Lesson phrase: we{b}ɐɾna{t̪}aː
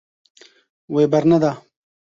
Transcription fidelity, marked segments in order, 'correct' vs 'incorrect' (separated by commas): correct, incorrect